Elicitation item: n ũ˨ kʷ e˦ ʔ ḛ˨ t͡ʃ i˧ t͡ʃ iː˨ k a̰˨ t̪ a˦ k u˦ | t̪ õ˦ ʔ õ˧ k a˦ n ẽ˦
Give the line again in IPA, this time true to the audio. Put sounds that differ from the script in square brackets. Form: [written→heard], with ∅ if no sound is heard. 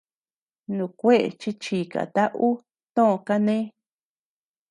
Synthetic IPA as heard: n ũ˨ kʷ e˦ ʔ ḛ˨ t͡ʃ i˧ t͡ʃ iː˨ k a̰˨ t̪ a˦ [k→ʔ] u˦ | t̪ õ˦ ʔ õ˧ k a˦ n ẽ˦